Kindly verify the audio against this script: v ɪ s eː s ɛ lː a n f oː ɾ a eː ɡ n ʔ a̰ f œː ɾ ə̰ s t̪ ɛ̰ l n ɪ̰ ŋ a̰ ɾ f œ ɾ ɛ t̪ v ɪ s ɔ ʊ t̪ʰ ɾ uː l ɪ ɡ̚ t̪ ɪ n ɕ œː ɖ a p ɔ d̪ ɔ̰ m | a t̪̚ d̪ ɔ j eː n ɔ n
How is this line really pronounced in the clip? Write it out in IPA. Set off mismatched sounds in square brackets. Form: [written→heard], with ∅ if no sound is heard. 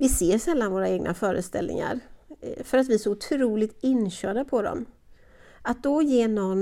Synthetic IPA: v ɪ s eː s ɛ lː a n [f→v] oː ɾ a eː ɡ n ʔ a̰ f œː ɾ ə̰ s t̪ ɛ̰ l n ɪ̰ ŋ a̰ ɾ f œ ɾ [ɛ→a] t̪ v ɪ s ɔ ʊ t̪ʰ ɾ uː l ɪ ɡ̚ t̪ ɪ n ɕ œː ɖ a [p→pʰ] ɔ d̪ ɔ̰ m | a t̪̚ d̪ ɔ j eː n ɔ n